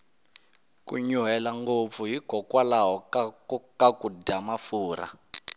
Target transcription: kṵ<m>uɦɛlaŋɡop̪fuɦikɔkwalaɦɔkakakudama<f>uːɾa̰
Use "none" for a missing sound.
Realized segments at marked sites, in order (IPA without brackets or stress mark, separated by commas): ɲ, f